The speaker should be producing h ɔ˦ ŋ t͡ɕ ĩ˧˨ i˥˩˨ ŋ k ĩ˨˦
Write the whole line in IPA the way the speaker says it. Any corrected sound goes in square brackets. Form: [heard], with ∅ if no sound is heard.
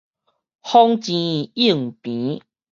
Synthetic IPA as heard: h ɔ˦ ŋ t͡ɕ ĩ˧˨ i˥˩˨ ŋ [p] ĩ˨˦

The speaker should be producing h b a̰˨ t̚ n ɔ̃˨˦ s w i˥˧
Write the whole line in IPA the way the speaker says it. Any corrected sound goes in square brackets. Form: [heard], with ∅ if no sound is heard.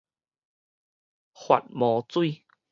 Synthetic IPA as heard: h [w] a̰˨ t̚ [m] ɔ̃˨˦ [t͡s] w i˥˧

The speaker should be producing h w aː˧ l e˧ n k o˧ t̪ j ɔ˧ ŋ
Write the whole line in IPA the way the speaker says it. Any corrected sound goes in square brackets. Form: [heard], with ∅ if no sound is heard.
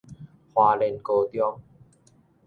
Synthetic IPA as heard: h w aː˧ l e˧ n k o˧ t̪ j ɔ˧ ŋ

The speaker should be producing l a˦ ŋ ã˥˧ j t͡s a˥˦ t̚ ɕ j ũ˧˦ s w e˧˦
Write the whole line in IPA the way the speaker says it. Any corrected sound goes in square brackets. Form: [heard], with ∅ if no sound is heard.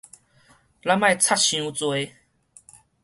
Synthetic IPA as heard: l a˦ [m] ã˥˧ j [t͡sʰ] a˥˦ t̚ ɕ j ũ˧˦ [t͡s] w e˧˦

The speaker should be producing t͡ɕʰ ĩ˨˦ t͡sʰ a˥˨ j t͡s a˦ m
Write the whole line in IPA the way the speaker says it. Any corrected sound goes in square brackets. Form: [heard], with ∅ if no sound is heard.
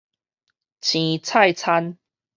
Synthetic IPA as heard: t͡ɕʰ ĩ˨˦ t͡sʰ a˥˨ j [t͡sʰ] a˦ [n]

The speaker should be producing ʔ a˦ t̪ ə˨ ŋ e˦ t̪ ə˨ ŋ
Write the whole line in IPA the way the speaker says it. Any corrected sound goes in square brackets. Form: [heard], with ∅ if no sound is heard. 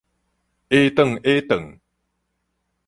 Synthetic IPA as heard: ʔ [e˦] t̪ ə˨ ŋ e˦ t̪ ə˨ ŋ

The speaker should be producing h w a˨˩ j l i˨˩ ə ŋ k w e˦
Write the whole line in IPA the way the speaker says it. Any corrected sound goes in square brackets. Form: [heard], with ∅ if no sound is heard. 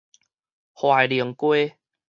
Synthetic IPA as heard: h w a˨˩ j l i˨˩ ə ŋ k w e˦

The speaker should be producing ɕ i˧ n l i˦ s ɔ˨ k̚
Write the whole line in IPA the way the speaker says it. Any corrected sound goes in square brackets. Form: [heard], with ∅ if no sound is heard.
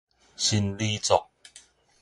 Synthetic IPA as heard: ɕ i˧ n l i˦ [t͡s] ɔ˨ k̚

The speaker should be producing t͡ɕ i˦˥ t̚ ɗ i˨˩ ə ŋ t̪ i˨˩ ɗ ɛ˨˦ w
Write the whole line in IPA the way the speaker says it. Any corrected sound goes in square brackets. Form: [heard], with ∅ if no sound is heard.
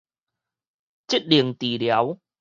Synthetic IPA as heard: t͡ɕ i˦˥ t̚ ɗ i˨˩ ə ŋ t̪ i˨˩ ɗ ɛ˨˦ w

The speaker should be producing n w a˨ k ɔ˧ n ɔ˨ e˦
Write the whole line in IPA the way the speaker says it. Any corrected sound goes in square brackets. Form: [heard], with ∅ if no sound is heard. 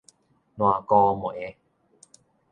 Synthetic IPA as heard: n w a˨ k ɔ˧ [m] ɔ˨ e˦

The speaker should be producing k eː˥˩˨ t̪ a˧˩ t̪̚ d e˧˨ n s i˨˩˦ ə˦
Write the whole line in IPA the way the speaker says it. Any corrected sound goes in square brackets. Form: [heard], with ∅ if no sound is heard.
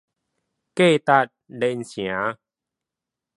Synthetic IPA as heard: k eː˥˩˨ t̪ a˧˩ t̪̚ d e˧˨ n s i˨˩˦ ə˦

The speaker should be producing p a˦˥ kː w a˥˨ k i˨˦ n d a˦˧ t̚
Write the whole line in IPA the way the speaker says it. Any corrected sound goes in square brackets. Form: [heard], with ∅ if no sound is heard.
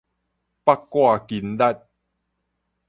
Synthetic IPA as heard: p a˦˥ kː w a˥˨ k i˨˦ n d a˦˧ t̚

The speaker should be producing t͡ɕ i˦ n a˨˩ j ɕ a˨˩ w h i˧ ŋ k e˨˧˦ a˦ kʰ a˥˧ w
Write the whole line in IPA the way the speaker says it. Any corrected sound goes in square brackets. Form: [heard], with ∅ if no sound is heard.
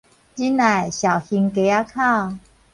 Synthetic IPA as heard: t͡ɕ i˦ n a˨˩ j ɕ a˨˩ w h i˧ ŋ k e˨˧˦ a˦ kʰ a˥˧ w

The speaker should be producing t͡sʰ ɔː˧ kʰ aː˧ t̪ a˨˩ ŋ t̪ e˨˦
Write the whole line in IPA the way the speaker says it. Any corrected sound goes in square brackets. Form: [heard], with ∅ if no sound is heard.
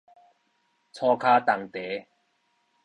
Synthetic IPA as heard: t͡sʰ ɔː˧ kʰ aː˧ t̪ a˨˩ ŋ t̪ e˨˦

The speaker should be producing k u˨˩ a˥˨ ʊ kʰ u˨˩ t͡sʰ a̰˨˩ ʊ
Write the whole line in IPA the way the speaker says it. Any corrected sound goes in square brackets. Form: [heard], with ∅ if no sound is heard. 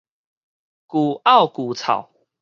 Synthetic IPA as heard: k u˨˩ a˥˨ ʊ [k] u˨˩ t͡sʰ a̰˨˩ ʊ

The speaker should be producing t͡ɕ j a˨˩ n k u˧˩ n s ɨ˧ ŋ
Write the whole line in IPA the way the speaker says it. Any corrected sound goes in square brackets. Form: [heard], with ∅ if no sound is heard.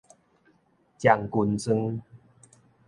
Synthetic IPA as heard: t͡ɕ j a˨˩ [ŋ] k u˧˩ n s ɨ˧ ŋ

